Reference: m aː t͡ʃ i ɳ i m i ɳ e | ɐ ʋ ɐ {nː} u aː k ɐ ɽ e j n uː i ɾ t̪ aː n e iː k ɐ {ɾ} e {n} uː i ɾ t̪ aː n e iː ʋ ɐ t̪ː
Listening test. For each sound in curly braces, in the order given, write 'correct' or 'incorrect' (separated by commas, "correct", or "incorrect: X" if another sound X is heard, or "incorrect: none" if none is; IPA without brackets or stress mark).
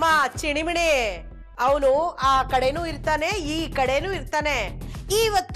incorrect: n, incorrect: ɽ, correct